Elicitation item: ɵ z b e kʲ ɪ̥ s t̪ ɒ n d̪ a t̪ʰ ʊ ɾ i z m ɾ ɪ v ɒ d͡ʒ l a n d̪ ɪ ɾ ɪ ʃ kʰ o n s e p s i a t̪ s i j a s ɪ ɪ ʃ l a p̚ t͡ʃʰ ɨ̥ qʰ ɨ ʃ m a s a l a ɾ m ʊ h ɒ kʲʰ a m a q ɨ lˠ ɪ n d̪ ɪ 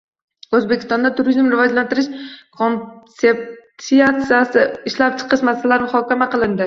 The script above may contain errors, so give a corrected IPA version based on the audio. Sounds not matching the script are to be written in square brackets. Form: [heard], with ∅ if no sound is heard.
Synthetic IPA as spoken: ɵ z b e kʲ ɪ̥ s t̪ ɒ n d̪ a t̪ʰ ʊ ɾ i z m ɾ ɪ v ɒ d͡ʒ l a n [t̪] ɪ ɾ ɪ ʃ kʰ o n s e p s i a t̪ s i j a s ɪ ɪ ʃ l a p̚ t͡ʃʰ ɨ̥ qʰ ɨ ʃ m a s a l a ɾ m ʊ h ɒ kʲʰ a m a q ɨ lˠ ɪ n d̪ ɪ